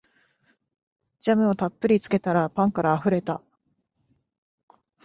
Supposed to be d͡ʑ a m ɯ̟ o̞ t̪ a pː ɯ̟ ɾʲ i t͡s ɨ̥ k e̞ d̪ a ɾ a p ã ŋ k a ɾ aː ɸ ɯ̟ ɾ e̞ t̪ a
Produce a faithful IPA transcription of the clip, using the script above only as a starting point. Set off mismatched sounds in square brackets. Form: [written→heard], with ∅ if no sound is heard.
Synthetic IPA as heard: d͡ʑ a m ɯ̟ o̞ t̪ a pː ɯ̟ ɾʲ i t͡s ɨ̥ k e̞ [d̪→t̪] a ɾ a p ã ŋ k a ɾ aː ɸ ɯ̟ ɾ e̞ t̪ a